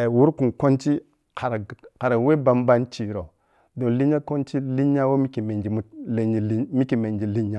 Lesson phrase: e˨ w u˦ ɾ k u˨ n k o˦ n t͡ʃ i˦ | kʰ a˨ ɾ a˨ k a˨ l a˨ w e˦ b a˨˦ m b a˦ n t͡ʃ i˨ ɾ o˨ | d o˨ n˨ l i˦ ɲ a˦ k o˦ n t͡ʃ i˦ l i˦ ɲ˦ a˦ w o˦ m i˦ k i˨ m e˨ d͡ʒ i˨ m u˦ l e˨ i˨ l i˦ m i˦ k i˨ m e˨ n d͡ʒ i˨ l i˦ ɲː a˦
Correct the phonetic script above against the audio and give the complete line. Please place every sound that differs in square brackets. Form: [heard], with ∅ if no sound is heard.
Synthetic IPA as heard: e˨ w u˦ ɾ k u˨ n k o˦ n t͡ʃ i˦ | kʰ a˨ ɾ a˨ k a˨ [ɾ] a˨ w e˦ b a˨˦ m b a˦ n t͡ʃ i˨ ɾ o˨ | d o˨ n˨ l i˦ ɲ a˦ k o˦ n t͡ʃ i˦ l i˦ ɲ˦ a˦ w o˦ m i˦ k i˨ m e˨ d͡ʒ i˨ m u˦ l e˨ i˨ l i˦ m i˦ k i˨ m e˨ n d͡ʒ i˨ l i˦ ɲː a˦

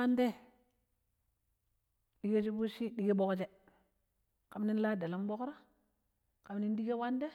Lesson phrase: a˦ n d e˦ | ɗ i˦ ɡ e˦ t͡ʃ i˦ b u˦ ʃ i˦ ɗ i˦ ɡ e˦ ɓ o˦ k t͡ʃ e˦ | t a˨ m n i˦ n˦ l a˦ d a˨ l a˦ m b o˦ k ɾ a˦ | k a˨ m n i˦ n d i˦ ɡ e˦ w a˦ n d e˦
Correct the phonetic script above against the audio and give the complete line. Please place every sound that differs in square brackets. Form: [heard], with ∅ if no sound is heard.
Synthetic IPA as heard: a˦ n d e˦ | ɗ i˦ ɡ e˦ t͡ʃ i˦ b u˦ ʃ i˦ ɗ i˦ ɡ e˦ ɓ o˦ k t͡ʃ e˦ | [k] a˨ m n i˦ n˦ l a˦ d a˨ l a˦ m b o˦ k ɾ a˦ | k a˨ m n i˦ n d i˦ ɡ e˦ w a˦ n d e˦

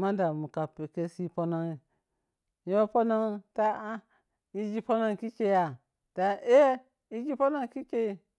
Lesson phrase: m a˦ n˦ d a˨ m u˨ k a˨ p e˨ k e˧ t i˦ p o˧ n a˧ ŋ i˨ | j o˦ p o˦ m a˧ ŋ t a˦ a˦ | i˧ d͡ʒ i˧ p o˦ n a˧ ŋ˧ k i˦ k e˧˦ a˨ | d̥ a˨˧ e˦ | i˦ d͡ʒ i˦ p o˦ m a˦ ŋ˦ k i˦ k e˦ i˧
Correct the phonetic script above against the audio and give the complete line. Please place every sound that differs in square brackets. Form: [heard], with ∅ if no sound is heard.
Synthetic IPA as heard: m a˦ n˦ d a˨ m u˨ k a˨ p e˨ k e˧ [s] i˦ p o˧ n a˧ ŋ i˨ | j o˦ p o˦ [n] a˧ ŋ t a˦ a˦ | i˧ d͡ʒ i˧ p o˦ n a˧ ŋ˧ k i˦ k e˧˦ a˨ | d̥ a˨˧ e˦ | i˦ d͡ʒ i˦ p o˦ [n] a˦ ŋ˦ k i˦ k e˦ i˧

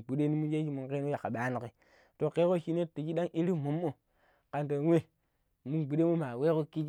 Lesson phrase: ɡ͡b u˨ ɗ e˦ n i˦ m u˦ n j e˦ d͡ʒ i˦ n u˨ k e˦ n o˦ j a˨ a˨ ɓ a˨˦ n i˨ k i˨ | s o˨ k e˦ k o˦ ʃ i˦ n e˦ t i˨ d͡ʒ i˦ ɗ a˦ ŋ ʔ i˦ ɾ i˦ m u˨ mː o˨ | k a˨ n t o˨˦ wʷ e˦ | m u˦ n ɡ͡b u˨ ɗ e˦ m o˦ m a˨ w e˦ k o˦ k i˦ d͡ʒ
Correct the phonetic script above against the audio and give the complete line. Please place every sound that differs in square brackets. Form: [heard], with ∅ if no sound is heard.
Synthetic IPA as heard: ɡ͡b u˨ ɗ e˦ n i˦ m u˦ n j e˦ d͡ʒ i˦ [m] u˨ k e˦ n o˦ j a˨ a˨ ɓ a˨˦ n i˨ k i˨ | [t] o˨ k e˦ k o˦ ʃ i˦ n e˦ t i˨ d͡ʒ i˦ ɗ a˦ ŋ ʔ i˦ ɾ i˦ m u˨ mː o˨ | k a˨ n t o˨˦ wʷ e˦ | m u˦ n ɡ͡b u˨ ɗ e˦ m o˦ m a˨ w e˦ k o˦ k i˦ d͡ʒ

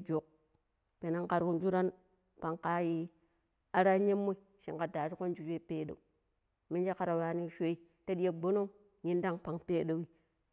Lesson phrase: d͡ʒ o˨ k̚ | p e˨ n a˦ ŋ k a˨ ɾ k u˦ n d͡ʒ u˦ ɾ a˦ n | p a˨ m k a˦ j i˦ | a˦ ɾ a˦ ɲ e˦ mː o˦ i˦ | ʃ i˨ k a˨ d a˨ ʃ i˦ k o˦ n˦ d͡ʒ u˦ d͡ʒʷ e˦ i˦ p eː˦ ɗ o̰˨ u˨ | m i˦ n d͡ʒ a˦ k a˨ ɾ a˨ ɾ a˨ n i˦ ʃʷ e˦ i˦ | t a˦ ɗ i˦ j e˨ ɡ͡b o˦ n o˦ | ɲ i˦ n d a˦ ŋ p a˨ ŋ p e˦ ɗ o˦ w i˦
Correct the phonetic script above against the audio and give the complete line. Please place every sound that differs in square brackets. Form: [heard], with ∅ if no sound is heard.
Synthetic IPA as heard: d͡ʒ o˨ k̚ | p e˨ n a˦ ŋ k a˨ ɾ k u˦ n d͡ʒ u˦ ɾ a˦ n | p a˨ [ŋ] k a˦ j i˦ | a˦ ɾ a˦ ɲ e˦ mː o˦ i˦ | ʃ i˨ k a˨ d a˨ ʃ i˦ k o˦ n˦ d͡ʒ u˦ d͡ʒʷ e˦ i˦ p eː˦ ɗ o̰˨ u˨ | m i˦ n d͡ʒ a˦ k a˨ ɾ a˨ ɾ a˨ n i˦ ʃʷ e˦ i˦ | t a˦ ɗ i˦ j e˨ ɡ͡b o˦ n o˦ | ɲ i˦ n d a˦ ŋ p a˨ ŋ p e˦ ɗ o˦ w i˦

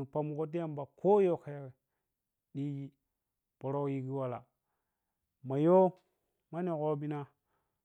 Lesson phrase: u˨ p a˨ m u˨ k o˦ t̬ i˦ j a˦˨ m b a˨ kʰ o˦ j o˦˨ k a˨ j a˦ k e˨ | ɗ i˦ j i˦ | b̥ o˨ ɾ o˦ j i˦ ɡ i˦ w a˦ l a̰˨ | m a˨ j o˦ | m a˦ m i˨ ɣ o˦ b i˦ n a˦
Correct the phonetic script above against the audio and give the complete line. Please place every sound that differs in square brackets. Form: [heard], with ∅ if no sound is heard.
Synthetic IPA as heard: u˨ p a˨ m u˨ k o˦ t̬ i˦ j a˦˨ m b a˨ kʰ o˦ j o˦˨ k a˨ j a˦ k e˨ | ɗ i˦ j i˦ | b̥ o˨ ɾ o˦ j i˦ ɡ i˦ w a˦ l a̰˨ | m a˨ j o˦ | m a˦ [n] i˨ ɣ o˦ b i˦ n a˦

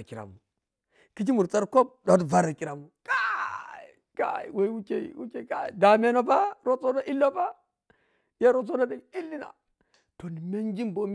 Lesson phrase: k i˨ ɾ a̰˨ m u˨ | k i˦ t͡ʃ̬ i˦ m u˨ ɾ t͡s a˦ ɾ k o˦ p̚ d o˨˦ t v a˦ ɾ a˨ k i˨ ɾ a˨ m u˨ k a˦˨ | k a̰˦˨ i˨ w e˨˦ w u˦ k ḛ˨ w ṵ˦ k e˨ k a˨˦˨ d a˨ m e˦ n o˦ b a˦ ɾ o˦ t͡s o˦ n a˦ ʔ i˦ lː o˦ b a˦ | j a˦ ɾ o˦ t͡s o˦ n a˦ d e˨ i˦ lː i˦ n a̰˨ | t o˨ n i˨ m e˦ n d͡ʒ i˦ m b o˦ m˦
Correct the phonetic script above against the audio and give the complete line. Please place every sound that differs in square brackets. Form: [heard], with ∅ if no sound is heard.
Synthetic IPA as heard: k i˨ ɾ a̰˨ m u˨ | k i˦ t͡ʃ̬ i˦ m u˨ ɾ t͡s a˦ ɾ k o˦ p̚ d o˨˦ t v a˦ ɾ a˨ k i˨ ɾ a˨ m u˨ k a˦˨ | k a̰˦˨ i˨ w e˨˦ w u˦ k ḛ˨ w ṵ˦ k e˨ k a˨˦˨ d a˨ m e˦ n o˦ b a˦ ɾ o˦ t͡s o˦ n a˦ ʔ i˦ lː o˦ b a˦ | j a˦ ɾ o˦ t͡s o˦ n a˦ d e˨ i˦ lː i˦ n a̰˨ | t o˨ n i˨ m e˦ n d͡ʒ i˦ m b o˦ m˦

